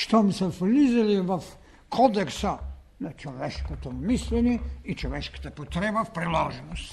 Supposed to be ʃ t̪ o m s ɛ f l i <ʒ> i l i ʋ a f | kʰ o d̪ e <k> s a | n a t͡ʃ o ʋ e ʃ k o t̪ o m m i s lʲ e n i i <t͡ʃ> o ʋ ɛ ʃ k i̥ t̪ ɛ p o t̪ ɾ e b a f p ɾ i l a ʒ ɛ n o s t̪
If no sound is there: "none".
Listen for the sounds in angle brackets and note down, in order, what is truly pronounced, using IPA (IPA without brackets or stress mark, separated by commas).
z, k, t͡ʃ